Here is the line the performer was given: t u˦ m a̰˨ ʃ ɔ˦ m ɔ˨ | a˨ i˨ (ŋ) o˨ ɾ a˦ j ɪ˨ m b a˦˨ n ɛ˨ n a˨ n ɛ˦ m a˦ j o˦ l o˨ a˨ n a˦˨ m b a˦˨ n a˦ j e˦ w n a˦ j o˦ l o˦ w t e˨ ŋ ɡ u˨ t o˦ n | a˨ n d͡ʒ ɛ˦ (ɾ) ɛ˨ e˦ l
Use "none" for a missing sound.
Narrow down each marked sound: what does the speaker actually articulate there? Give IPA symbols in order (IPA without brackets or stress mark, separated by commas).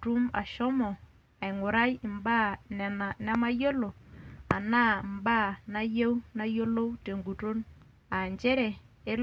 ŋ, ɾ